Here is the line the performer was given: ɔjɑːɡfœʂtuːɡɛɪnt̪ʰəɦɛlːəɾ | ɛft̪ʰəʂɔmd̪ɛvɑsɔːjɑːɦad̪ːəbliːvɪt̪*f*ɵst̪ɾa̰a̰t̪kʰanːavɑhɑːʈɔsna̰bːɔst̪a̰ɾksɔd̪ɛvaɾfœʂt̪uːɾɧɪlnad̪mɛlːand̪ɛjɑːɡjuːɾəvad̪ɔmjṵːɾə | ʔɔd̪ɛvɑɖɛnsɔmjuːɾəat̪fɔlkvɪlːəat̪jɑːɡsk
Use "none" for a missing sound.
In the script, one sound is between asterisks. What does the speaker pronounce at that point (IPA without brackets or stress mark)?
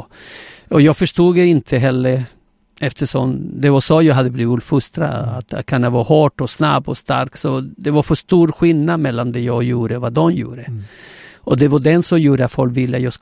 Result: f